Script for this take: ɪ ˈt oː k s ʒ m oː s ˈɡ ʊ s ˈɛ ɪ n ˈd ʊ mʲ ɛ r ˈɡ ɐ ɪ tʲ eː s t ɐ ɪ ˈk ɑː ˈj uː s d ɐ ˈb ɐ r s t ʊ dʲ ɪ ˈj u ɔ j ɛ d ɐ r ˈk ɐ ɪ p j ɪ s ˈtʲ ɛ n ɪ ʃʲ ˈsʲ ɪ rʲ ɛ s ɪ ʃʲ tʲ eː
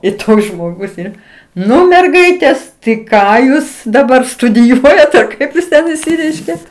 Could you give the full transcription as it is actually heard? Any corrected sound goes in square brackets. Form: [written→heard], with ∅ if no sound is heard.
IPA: ɪ ˈt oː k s ʒ m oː [s→∅] ˈɡ ʊ s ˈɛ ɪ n [ˈd→ˈn] ʊ mʲ ɛ r ˈɡ ɐ ɪ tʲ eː s t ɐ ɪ ˈk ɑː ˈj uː s d ɐ ˈb ɐ r s t ʊ dʲ ɪ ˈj u ɔ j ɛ [d→t] ɐ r ˈk ɐ ɪ p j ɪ s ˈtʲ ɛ n ɪ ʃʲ ˈsʲ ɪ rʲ ɛ [s→∅] ɪ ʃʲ [tʲ→kʲ] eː